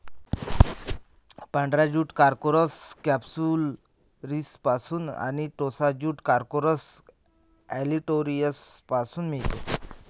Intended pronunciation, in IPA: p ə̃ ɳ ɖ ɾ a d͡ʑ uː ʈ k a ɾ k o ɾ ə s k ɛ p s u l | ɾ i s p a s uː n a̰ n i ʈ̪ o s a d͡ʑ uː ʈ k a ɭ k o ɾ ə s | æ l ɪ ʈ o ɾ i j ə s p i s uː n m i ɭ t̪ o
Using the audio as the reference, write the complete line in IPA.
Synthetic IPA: p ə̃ ɳ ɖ ɾ a d͡ʑ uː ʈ k a ɾ k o ɾ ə s k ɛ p s u l | ɾ i s p a s uː n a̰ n i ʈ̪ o s a d͡ʑ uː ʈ k a ɾ k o ɾ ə s | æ l i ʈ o ɾ i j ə s p a s uː n m i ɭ t̪ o